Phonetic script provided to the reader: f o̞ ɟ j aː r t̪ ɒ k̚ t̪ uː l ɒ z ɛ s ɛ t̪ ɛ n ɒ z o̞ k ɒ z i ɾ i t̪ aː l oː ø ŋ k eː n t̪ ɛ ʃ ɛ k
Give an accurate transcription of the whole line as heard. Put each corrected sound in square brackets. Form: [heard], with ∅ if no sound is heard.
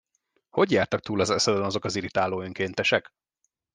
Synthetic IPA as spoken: [h] o̞ ɟ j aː r t̪ ɒ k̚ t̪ uː l ɒ z ɛ s ɛ [d̪] ɛ n ɒ z o̞ k ɒ z i ɾ i t̪ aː l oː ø ŋ k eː n t̪ ɛ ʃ ɛ k